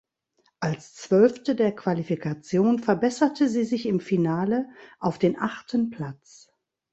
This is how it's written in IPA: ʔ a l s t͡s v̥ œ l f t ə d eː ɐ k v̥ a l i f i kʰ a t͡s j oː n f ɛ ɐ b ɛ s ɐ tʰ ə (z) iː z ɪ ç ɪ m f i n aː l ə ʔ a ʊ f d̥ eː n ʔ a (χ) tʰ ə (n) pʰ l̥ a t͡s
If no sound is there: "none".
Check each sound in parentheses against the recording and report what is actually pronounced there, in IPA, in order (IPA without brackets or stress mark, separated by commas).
z, χ, n